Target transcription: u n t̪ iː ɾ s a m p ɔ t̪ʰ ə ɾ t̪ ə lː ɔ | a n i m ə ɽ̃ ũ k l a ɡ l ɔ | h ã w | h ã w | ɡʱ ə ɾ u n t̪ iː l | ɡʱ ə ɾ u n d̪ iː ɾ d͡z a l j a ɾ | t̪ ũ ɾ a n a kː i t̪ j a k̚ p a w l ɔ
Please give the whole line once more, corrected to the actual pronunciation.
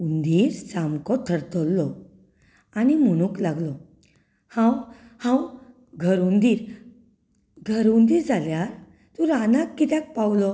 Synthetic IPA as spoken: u n d̪ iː ɾ s a m k ɔ t̪ʰ ə ɾ t̪ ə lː ɔ | a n i m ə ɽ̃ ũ k l a ɡ l ɔ | h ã w | h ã w | ɡʱ ə ɾ u n d̪ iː ɾ | ɡʱ ə ɾ u n d̪ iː ɾ d͡z a l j a ɾ | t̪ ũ ɾ a n a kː i t̪ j a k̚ p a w l ɔ